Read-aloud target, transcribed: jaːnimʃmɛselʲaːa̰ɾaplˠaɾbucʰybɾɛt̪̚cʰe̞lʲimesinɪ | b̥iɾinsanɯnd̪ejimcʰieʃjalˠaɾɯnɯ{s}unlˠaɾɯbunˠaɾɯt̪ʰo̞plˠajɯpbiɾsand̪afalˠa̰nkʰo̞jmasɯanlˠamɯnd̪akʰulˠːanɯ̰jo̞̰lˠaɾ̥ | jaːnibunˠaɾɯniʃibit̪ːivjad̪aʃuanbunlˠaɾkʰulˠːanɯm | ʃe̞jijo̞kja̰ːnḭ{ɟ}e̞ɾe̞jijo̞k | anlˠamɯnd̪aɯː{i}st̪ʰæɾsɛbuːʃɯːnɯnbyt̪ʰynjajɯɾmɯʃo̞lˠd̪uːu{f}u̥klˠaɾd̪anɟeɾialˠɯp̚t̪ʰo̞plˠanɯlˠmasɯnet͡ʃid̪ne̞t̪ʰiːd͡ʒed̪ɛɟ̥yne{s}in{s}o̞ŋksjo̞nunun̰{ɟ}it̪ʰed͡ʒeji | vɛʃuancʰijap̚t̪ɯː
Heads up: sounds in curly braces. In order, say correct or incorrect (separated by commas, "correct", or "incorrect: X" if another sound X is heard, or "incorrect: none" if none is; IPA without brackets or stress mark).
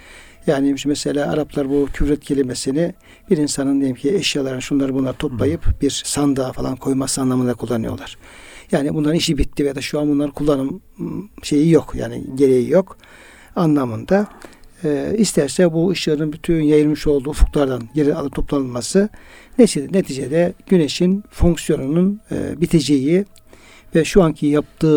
incorrect: ʃ, correct, correct, correct, incorrect: ʃ, incorrect: f, incorrect: b